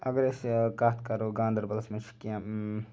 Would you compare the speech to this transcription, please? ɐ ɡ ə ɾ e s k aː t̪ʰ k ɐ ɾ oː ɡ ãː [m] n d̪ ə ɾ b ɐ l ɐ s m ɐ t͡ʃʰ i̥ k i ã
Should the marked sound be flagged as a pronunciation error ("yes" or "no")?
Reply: yes